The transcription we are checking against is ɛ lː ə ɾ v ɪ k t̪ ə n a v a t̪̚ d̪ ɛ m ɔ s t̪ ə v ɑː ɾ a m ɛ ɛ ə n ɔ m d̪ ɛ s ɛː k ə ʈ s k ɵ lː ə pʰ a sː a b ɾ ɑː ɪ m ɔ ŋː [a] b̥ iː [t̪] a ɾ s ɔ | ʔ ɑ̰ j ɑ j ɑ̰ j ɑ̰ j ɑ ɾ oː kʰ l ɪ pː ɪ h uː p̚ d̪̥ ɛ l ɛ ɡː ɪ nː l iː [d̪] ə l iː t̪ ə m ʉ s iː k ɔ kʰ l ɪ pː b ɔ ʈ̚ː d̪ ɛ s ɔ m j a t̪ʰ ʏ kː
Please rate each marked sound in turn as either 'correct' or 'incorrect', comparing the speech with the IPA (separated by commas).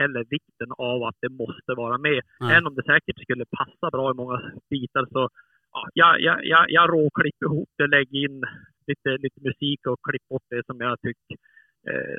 correct, correct, incorrect